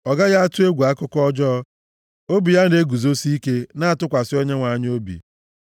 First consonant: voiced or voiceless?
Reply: voiced